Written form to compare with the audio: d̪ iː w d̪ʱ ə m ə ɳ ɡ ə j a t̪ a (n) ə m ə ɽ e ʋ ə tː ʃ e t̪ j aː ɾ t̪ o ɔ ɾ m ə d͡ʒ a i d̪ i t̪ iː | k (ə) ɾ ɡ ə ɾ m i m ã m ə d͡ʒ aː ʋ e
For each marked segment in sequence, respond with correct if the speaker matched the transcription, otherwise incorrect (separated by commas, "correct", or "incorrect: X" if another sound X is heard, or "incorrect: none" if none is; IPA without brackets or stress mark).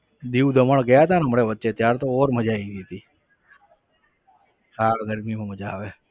correct, incorrect: a